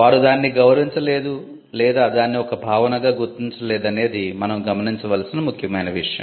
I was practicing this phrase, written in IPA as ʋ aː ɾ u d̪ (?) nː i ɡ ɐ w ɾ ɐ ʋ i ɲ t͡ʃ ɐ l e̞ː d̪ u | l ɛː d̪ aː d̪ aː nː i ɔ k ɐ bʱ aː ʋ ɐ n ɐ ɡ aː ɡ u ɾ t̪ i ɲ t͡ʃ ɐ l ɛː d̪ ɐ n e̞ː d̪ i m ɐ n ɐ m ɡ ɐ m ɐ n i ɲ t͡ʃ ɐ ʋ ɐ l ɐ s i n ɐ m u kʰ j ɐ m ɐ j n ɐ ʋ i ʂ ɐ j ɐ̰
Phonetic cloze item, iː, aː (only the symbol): aː